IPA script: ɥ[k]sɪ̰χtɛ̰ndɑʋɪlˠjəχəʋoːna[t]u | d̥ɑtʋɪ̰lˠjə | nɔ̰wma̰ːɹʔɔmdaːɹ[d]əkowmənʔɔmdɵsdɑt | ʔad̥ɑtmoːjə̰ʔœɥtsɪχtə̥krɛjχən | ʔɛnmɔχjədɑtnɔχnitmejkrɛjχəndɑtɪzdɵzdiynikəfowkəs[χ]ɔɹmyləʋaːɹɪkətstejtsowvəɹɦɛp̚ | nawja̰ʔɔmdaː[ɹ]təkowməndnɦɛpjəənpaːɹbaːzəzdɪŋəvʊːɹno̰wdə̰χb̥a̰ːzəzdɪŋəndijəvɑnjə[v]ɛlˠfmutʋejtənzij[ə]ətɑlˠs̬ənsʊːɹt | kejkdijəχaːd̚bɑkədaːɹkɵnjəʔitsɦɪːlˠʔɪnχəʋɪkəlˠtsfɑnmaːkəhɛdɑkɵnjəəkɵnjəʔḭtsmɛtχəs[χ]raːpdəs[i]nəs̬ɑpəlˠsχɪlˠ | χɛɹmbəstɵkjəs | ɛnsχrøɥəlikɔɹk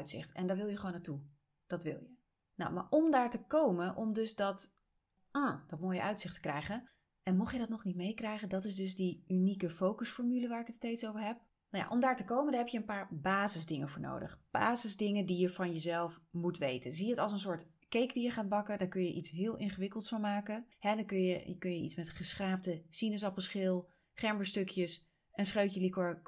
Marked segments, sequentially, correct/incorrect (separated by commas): incorrect, correct, incorrect, incorrect, correct, incorrect, correct, correct, correct